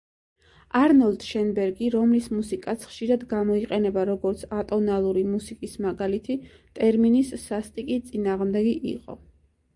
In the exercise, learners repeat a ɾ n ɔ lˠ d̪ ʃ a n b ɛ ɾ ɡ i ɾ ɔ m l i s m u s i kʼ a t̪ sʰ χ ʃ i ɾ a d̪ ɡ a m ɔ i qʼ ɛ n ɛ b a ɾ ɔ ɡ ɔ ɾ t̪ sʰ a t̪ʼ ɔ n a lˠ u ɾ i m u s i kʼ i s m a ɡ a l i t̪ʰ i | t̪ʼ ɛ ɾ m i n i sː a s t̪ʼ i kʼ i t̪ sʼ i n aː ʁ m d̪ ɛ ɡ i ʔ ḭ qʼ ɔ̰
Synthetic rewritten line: a ɾ n ɔ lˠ d̪ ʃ ɛ n b ɛ ɾ ɡ i ɾ ɔ m l i s m u s i kʼ a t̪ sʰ χ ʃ i ɾ a d̪ ɡ a m ɔ i qʼ ɛ n ɛ b a ɾ ɔ ɡ ɔ ɾ t̪ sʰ a t̪ʼ ɔ n a lˠ u ɾ i m u s i kʼ i s m a ɡ a l i t̪ʰ i | t̪ʼ ɛ ɾ m i n i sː a s t̪ʼ i kʼ i t̪ sʼ i n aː ʁ m d̪ ɛ ɡ i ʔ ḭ qʼ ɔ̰